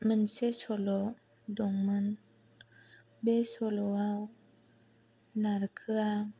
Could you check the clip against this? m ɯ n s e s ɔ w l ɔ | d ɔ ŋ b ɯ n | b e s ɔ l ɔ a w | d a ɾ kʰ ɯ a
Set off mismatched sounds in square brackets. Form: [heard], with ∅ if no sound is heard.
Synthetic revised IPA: m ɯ n s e s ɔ [∅] l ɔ | d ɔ ŋ [m] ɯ n | b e s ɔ l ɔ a w | [n] a ɾ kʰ ɯ a

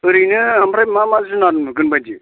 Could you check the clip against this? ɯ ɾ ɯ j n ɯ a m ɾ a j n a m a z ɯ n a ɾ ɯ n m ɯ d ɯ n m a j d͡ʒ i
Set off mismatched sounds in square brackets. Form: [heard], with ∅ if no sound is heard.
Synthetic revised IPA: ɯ ɾ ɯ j n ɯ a m ɾ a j [m] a m a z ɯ n a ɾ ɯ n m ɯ [ɡ] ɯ n [b] a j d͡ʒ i

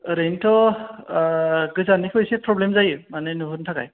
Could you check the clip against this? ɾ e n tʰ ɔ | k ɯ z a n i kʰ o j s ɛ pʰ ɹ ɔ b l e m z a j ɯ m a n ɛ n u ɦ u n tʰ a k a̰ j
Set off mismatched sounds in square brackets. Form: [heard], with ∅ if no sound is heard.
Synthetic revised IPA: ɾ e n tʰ ɔ | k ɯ z a n i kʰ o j s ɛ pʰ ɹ ɔ b l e m z a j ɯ m a n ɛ n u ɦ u n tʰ a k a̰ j

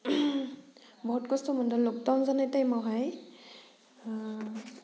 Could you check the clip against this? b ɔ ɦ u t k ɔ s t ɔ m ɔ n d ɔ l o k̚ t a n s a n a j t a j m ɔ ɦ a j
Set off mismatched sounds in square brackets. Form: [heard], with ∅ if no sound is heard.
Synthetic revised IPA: b ɔ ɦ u t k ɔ s t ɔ m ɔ n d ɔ l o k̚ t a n [z] a n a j t a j m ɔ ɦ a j

